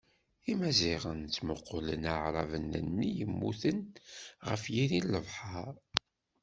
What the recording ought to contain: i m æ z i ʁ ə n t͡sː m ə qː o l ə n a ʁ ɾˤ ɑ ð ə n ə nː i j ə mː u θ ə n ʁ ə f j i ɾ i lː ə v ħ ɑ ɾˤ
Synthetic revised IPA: i m æ z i ʁ ə n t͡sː m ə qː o l ə n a ʕ ɾˤ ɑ v ə n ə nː i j ə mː u θ ə n ʁ ə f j i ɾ i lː ə v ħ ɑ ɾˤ